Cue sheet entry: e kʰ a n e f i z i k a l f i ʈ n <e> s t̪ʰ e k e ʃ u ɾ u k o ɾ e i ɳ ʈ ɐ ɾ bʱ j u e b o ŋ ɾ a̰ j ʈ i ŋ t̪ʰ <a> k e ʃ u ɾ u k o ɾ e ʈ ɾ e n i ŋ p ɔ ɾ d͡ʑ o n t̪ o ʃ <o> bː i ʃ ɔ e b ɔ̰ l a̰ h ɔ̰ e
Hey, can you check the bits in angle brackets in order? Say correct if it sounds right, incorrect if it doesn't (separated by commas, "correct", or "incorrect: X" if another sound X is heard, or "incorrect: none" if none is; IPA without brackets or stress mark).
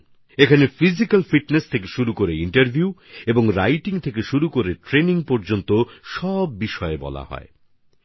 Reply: correct, incorrect: e, incorrect: ɔ